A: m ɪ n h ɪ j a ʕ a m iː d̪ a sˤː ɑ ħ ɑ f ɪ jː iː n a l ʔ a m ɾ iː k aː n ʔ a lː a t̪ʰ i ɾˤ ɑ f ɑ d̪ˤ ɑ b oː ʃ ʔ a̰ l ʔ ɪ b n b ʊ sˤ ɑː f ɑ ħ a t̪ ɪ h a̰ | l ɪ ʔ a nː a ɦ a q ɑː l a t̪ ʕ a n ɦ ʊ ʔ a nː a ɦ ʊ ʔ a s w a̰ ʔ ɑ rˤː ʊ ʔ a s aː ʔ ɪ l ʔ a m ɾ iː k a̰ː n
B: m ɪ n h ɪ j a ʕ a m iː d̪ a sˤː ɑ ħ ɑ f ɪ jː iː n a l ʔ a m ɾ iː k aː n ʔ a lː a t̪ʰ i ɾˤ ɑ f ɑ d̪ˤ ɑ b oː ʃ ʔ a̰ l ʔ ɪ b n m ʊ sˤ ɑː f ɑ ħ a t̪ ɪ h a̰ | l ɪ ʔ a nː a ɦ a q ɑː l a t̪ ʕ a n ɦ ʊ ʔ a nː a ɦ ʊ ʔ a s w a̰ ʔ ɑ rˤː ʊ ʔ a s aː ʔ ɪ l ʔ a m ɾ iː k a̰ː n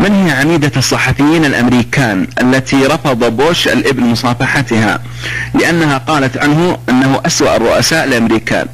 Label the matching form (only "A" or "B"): B